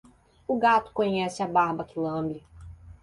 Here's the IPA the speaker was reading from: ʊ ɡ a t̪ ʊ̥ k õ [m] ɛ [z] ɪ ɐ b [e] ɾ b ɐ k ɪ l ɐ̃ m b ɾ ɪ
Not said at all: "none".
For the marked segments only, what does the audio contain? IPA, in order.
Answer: ɲ, s, a

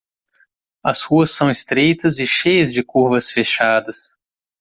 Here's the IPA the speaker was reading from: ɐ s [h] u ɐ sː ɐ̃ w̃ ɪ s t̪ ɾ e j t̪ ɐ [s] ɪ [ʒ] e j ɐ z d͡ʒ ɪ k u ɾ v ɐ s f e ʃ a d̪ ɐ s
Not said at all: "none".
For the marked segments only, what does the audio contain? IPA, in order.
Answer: h, z, ʃ

